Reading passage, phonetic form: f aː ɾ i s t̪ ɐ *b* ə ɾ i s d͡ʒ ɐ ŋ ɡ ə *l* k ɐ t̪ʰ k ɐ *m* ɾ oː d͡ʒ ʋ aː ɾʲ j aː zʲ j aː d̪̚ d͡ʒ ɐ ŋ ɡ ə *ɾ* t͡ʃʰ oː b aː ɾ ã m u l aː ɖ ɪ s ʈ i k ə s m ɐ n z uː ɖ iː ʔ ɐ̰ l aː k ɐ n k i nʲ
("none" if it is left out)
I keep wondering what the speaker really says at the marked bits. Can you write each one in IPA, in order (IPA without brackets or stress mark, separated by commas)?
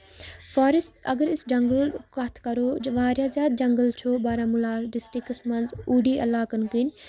ɡ, l, none, l